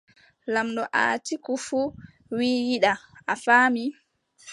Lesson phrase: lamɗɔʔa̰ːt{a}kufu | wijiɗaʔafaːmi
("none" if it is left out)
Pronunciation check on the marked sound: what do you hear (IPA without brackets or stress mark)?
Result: i